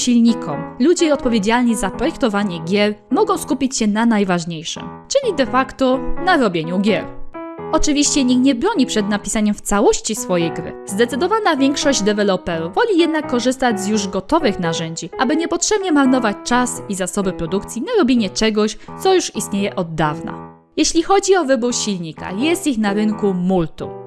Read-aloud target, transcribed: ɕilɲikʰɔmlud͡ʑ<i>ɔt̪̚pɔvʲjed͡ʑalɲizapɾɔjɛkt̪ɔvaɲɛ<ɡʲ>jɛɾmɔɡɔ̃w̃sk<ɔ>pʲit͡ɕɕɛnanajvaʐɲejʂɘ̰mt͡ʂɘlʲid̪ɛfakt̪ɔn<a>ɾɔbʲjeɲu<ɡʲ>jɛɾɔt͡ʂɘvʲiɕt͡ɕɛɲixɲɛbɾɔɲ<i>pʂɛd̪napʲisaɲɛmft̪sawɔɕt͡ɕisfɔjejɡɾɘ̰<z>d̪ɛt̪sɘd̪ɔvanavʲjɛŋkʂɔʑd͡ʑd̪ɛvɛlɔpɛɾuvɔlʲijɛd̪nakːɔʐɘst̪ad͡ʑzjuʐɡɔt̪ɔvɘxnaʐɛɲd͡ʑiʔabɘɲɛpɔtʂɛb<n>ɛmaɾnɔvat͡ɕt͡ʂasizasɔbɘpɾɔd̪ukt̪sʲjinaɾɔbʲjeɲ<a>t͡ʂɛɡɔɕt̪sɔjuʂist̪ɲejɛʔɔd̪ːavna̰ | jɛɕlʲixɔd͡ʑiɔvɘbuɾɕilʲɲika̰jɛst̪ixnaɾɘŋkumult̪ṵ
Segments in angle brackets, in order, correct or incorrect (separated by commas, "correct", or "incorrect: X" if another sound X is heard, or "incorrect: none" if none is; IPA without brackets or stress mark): incorrect: ɛ, correct, incorrect: u, correct, correct, correct, correct, incorrect: ɲ, incorrect: ɛ